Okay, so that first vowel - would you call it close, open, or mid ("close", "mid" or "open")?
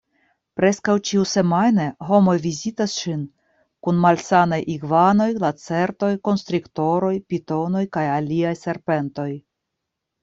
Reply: mid